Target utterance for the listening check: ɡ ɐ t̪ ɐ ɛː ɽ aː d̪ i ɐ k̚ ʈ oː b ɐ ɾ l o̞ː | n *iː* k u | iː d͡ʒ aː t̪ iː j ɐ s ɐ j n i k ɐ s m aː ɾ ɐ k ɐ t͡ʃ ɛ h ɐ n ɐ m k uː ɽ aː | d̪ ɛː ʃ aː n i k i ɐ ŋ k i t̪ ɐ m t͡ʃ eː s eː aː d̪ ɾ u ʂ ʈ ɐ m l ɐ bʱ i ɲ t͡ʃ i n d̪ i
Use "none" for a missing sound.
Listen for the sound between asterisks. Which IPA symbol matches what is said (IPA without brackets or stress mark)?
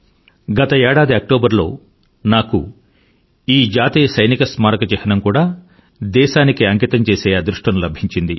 aː